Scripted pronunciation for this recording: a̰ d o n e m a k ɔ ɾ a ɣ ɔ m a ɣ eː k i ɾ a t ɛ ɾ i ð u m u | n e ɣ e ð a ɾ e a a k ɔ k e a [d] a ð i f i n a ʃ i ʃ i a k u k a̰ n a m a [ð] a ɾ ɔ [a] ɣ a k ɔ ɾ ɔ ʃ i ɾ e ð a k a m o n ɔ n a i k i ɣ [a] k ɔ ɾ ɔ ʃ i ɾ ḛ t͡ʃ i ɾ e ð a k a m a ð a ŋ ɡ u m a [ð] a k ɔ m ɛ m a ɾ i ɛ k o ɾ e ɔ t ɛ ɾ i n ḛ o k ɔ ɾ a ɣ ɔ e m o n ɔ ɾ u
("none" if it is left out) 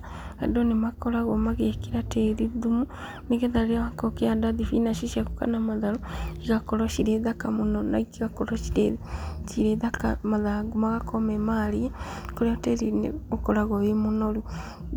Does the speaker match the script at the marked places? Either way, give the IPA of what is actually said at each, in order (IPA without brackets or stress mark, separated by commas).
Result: d, ð, i, a, ɣ